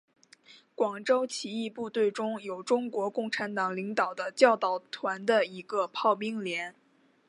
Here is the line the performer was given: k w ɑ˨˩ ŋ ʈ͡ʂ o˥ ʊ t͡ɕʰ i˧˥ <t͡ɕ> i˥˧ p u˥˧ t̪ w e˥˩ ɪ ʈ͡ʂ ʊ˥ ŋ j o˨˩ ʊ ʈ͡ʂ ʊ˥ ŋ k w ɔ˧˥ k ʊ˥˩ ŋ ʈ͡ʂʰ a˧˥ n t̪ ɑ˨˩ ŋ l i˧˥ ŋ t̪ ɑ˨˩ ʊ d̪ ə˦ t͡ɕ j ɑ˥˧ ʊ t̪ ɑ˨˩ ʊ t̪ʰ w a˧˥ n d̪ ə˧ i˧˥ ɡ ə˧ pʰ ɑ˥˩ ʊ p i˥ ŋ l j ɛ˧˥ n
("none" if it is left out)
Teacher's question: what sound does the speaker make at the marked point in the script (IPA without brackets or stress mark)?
none